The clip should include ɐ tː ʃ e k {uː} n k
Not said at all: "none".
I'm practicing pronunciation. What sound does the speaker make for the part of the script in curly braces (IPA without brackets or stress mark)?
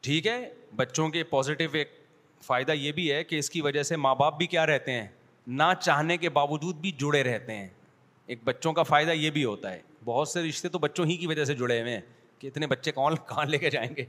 ɔː